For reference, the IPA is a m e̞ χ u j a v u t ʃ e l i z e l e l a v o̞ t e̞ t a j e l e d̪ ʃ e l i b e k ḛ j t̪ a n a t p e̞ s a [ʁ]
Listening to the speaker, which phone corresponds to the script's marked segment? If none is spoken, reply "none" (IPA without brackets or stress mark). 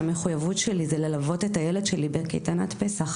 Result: χ